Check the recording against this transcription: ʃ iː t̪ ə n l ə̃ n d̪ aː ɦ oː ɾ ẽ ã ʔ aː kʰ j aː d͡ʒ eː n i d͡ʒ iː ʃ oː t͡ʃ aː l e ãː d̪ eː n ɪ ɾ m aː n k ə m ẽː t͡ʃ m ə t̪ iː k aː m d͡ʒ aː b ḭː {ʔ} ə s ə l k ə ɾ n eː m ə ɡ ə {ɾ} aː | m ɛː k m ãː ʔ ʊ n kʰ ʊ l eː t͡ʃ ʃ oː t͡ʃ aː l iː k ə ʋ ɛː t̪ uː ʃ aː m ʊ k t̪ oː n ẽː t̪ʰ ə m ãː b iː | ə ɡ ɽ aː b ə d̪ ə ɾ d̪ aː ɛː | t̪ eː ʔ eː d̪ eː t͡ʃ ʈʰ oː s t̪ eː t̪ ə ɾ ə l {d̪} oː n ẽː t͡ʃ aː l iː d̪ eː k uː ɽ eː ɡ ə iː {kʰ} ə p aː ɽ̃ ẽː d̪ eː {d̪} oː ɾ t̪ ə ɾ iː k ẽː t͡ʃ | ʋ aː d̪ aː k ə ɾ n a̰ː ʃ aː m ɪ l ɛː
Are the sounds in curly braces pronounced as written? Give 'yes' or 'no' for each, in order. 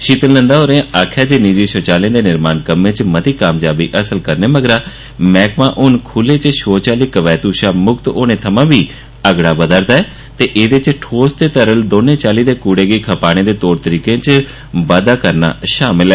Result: yes, yes, yes, yes, no

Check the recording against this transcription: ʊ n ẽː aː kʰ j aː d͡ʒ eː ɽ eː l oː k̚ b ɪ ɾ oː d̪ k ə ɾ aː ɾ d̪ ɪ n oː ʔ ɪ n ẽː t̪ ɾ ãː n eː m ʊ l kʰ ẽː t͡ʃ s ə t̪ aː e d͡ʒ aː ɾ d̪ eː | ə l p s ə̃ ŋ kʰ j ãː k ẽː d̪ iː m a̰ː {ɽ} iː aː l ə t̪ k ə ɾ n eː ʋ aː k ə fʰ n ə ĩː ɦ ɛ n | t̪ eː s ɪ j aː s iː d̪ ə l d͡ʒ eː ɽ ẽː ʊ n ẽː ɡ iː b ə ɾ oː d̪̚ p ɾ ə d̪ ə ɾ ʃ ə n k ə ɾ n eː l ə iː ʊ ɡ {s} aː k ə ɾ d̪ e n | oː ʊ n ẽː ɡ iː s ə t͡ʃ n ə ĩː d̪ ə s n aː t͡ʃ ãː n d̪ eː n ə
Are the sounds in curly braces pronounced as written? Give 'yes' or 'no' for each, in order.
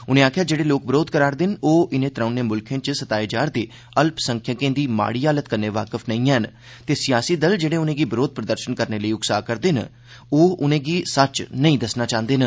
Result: yes, yes

